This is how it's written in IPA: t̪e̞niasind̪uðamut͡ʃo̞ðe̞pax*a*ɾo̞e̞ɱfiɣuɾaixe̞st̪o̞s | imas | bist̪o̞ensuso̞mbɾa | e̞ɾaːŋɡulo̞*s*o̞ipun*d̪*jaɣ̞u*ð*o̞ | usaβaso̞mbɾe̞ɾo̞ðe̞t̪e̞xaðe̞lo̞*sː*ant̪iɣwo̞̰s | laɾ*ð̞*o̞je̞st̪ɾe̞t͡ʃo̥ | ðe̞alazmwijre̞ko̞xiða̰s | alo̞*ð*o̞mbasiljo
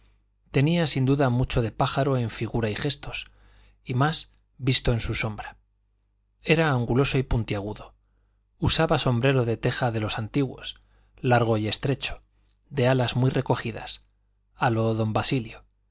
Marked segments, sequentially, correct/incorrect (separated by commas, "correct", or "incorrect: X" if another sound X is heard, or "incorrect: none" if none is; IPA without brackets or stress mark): correct, correct, incorrect: t̪, correct, incorrect: s, incorrect: ɣ̞, correct